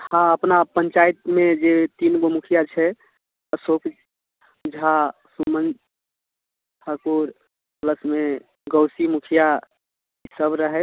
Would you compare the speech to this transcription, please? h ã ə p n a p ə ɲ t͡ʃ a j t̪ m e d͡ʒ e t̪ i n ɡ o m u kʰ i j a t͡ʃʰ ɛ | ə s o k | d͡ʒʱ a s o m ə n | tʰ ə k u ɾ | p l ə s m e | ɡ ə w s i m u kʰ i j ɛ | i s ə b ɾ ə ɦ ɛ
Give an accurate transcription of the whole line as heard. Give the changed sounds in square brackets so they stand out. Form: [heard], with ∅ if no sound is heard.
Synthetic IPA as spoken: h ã ə p n a p ə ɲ t͡ʃ a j t̪ m e d͡ʒ e t̪ i n ɡ o m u kʰ i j a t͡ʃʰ ɛ | ə s o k | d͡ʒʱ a s [u] m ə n | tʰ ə k u ɾ | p l ə s m e | ɡ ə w s i m u kʰ i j [a] | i s ə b ɾ ə ɦ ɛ